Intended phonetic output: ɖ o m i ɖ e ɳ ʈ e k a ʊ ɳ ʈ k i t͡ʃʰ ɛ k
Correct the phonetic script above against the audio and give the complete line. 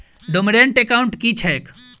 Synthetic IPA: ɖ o m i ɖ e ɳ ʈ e k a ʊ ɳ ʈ k i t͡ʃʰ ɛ k